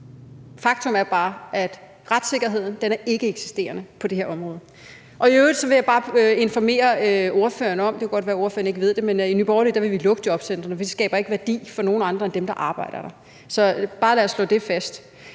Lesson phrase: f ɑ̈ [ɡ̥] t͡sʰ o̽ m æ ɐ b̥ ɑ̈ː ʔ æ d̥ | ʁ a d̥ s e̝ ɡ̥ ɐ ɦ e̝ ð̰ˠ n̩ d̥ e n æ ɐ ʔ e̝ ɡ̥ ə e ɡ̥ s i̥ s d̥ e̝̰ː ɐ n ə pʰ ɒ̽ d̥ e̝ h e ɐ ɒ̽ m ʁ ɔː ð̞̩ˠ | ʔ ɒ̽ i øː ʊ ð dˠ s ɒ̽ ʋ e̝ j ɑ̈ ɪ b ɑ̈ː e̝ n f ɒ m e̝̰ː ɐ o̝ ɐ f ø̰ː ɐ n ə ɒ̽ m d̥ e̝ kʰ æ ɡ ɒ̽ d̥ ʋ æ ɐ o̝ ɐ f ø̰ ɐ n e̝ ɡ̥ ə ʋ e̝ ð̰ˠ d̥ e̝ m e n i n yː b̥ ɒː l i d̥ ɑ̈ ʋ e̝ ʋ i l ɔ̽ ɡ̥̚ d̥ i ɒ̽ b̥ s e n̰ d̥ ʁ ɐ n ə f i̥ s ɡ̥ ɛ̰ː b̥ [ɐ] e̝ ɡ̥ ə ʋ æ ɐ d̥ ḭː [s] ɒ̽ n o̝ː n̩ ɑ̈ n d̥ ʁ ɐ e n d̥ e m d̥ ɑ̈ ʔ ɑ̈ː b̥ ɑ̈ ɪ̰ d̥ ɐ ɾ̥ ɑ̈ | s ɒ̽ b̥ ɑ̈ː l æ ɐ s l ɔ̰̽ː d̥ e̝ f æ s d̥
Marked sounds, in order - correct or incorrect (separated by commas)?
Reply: correct, correct, incorrect